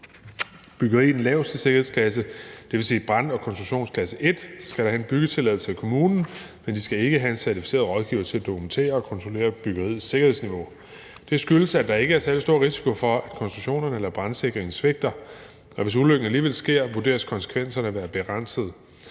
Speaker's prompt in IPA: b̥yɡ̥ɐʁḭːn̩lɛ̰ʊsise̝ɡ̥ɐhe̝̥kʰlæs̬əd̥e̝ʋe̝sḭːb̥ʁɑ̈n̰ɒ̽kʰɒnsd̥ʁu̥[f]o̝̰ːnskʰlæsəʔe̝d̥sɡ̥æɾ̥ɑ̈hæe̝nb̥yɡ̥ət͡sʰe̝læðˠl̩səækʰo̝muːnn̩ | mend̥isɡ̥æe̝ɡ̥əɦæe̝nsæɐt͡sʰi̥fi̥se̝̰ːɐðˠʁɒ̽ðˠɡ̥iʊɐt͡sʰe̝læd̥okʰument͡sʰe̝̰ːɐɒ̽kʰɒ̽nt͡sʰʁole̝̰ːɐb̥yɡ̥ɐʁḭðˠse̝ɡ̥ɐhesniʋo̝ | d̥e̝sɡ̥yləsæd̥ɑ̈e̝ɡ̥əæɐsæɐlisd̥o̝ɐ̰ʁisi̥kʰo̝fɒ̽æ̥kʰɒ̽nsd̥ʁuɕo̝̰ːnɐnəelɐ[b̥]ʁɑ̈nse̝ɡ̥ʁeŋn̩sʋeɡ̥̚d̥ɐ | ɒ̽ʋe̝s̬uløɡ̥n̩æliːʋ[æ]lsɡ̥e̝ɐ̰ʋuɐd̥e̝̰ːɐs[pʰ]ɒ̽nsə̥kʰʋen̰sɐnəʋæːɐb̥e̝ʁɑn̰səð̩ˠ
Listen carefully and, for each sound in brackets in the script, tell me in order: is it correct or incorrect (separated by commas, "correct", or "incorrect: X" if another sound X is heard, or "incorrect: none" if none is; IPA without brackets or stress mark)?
incorrect: ɕ, correct, incorrect: e, incorrect: kʰ